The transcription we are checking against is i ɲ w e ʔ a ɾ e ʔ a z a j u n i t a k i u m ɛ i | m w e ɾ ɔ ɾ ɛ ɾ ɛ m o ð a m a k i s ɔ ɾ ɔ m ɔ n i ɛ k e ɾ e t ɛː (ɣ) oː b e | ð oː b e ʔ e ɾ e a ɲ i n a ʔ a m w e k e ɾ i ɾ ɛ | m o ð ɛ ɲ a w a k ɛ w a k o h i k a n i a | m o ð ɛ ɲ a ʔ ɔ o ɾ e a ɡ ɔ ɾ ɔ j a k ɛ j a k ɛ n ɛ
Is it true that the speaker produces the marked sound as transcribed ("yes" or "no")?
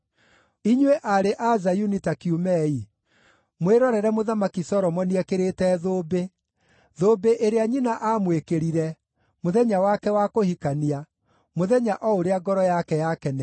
no